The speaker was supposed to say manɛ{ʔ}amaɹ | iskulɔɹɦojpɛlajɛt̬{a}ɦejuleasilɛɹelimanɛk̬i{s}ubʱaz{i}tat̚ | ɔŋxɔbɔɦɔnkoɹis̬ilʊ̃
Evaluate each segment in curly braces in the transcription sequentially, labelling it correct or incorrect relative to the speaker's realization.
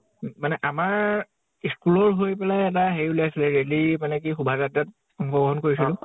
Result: correct, correct, incorrect, incorrect

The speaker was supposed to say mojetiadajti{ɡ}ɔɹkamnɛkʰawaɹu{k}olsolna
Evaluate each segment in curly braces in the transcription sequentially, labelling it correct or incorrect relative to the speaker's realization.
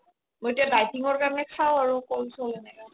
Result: incorrect, correct

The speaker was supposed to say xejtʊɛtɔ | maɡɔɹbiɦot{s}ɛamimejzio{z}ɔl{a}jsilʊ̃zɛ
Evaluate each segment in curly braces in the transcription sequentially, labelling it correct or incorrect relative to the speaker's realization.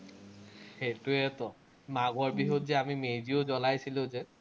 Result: incorrect, correct, correct

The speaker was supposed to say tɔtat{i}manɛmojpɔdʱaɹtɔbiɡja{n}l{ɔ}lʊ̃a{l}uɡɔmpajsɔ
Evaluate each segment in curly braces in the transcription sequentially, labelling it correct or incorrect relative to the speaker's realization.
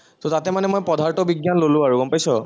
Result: incorrect, correct, incorrect, incorrect

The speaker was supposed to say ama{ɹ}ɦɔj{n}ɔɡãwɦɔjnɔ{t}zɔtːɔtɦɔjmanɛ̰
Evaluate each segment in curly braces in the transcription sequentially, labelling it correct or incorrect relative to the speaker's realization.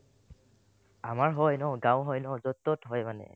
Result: correct, correct, incorrect

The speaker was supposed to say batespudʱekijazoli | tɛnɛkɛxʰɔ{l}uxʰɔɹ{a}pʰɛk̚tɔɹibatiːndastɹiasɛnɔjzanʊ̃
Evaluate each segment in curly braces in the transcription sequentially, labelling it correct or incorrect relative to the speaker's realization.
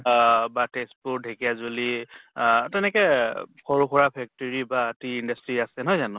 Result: incorrect, correct

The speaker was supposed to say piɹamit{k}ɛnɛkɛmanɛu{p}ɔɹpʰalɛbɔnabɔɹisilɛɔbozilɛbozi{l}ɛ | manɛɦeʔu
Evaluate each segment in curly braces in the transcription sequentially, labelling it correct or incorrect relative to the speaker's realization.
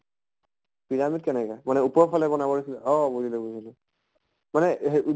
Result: correct, correct, correct

